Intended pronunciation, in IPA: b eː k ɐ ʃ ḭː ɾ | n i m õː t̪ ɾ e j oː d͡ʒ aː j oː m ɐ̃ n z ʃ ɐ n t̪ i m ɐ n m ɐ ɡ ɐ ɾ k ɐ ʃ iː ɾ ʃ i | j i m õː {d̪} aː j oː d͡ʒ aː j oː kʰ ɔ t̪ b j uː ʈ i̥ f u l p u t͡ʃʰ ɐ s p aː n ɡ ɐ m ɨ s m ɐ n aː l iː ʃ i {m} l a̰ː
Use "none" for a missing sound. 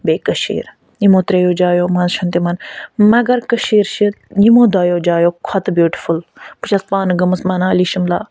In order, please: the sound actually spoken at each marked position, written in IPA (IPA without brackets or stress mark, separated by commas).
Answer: d̪, m